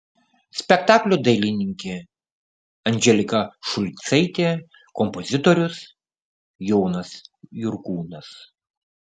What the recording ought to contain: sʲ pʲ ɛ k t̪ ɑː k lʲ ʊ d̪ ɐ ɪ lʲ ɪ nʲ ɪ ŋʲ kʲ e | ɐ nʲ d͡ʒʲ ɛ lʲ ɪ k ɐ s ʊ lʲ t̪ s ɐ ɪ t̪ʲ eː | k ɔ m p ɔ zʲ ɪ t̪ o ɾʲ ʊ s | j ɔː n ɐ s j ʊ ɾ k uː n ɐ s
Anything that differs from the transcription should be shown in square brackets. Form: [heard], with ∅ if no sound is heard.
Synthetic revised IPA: sʲ pʲ ɛ k t̪ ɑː k lʲ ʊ d̪ ɐ ɪ lʲ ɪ nʲ ɪ ŋʲ kʲ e | ɐ nʲ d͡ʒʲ ɛ lʲ ɪ k ɐ [ʃ] ʊ lʲ t̪ s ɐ ɪ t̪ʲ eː | k ɔ m p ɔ zʲ ɪ t̪ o ɾʲ ʊ s | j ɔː n ɐ s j ʊ ɾ k uː n ɐ s

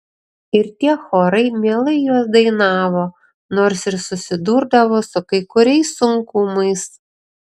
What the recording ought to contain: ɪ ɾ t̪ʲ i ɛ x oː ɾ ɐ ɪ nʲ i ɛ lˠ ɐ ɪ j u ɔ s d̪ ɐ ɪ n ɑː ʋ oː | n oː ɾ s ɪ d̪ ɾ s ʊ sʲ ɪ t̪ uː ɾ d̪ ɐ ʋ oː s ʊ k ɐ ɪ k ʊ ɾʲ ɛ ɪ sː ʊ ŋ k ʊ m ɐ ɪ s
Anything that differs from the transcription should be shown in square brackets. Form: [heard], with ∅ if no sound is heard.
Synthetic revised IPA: ɪ ɾ t̪ʲ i ɛ x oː ɾ ɐ ɪ [mʲ] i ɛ lˠ ɐ ɪ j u ɔ s d̪ ɐ ɪ n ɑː ʋ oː | n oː ɾ s ɪ [∅] ɾ s ʊ sʲ ɪ [d̪] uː ɾ d̪ ɐ ʋ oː s ʊ k ɐ ɪ k ʊ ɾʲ ɛ ɪ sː ʊ ŋ k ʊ m ɐ ɪ s

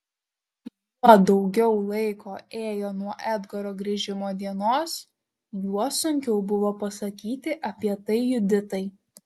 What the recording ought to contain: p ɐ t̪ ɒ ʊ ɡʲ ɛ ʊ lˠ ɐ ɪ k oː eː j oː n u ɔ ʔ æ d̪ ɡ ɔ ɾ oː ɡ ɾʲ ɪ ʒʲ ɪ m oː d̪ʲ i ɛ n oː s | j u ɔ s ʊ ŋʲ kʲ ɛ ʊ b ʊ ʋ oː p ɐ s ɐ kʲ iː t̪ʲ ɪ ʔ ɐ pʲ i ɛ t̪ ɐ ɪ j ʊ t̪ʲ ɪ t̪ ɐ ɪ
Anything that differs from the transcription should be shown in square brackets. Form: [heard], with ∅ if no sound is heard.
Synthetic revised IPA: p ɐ [d̪] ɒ ʊ ɡʲ ɛ ʊ lˠ ɐ ɪ k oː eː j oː n u ɔ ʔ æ d̪ ɡ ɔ ɾ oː ɡ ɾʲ ɪ ʒʲ ɪ m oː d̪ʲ i ɛ n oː s | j u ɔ s ʊ ŋʲ kʲ ɛ ʊ b ʊ ʋ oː p ɐ s ɐ kʲ iː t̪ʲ ɪ ʔ ɐ pʲ i ɛ t̪ ɐ ɪ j ʊ [d̪ʲ] ɪ t̪ ɐ ɪ

